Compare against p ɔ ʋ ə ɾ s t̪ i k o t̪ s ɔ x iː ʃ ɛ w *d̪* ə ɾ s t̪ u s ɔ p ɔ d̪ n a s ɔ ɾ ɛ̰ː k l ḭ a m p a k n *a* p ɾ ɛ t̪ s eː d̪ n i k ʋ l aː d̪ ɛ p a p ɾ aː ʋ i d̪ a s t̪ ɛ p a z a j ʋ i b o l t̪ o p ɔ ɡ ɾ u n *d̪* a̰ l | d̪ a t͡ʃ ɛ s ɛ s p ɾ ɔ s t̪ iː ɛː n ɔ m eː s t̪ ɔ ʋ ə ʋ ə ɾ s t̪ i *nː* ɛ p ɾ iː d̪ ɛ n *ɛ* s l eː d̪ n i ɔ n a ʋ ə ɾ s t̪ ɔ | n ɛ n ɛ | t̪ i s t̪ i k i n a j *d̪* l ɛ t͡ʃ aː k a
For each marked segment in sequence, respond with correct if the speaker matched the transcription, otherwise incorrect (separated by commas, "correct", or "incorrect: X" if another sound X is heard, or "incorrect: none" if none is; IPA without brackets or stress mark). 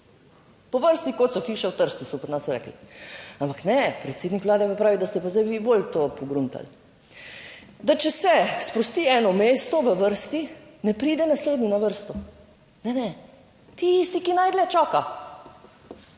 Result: incorrect: t̪, incorrect: ɛ, incorrect: t̪, incorrect: n, incorrect: a, correct